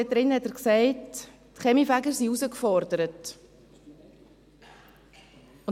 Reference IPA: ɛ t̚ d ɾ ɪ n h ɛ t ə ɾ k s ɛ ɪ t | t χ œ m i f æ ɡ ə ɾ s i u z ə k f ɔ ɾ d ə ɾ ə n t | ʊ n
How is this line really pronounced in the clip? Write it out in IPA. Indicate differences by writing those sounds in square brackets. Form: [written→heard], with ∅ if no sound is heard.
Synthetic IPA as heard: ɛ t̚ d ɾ ɪ n h ɛ t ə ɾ k s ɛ ɪ t | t χ [œ→ɛ] m i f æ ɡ ə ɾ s i u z ə k f ɔ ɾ d ə ɾ ə [n→∅] t | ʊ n